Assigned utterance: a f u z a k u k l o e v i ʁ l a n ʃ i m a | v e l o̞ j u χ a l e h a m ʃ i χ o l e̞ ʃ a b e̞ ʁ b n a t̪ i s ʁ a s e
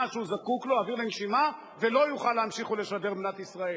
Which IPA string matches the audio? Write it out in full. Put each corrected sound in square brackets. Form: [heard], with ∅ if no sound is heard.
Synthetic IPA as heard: a [ʃ] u z a k u k l o [a] v i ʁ l [e] n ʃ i m a | v e l o̞ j u χ a l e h a m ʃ i χ o l e̞ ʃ a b e̞ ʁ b n a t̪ i s ʁ a [∅] e